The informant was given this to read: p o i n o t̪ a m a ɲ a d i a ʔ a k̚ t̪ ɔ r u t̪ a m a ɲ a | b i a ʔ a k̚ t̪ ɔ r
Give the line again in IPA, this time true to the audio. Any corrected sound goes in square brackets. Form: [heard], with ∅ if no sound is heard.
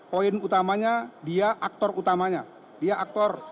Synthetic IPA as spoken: p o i n [u] t̪ a m a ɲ a d i a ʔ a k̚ t̪ ɔ r u t̪ a m a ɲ a | [d] i a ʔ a k̚ t̪ ɔ r